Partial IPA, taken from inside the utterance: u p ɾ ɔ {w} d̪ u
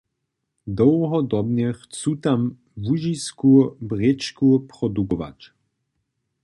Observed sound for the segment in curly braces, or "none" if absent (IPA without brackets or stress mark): none